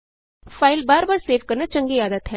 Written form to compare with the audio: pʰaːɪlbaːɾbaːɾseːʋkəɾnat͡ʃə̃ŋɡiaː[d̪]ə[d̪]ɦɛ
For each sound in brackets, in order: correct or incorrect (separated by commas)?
correct, incorrect